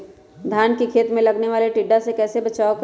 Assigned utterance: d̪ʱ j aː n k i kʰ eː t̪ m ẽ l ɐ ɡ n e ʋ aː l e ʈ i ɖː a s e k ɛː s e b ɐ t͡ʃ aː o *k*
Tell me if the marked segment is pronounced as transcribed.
yes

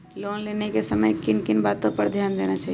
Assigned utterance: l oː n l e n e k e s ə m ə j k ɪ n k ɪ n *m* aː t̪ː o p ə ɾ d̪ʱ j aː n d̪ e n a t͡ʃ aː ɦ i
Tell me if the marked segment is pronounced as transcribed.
no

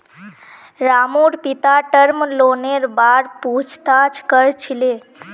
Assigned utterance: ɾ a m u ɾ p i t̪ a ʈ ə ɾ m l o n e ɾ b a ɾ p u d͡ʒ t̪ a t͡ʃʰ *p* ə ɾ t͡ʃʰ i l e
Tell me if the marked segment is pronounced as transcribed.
no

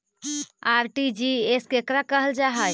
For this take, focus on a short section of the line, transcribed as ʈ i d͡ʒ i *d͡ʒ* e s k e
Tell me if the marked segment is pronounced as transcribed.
no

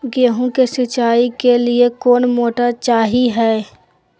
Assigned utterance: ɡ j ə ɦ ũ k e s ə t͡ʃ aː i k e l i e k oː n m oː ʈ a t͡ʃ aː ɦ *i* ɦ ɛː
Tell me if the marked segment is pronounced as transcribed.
yes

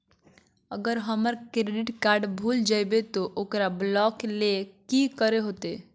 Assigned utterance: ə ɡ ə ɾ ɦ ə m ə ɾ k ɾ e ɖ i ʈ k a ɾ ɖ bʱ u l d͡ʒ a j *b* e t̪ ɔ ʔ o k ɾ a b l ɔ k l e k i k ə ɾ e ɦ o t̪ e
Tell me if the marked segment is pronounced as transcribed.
yes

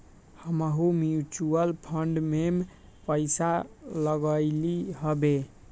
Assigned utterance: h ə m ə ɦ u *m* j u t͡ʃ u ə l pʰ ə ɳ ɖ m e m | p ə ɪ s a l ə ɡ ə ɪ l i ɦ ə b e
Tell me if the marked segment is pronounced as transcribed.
yes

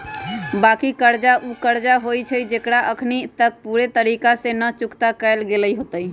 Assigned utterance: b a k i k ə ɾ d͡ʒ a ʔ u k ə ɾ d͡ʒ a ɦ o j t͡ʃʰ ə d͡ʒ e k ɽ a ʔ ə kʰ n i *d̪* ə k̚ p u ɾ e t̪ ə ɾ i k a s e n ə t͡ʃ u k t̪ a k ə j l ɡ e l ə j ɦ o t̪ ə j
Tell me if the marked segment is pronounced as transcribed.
no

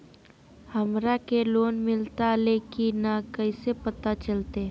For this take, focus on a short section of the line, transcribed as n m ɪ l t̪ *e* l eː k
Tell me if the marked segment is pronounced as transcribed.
no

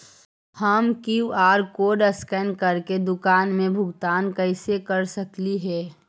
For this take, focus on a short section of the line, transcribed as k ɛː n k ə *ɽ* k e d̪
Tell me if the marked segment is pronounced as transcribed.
no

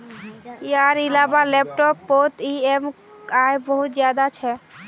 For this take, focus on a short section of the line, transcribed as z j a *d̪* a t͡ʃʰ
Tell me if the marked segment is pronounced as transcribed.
yes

